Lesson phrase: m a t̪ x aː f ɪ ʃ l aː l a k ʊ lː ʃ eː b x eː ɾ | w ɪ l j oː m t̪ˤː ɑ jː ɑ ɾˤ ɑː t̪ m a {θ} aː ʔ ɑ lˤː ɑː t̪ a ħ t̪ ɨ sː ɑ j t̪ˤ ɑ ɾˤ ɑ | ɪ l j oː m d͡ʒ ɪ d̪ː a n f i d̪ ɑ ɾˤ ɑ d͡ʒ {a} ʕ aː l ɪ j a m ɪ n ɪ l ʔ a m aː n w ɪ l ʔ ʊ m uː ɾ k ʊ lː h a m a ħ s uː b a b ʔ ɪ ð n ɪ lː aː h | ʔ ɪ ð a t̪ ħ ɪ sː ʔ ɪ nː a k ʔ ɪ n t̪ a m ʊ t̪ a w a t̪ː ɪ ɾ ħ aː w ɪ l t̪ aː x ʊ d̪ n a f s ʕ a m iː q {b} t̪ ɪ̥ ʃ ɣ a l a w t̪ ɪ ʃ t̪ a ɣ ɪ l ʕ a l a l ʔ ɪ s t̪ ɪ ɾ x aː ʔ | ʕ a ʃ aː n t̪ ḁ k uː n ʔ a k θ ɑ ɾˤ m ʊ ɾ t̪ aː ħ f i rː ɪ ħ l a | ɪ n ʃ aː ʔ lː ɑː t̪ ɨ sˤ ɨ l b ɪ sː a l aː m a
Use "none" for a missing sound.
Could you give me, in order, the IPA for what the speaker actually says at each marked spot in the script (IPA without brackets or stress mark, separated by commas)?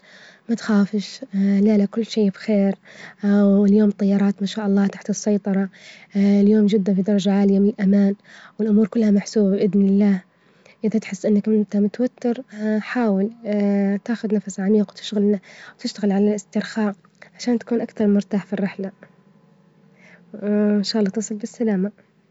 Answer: ʃ, a, w